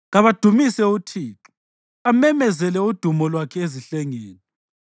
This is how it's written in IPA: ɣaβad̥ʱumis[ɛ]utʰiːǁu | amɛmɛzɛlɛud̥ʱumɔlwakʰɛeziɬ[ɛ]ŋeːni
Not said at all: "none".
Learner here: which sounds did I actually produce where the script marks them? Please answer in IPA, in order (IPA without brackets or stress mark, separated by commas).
ɛ, ɛ